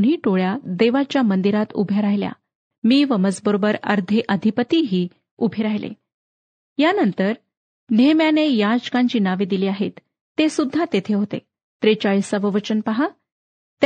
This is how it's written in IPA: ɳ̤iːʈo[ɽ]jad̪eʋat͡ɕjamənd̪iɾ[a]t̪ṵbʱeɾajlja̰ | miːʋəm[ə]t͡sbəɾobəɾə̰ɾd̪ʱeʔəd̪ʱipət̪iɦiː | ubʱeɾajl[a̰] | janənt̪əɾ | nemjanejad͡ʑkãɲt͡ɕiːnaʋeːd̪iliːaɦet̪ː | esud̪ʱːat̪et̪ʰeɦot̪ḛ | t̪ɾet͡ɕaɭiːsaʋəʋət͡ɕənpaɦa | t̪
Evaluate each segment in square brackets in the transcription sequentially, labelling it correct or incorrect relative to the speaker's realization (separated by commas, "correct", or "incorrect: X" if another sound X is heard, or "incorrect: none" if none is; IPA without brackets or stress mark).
incorrect: ɭ, correct, correct, incorrect: ḛ